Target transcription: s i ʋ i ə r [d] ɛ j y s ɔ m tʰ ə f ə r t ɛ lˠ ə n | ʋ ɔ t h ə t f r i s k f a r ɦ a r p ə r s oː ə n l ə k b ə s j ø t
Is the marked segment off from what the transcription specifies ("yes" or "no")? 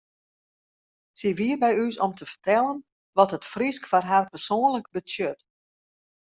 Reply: yes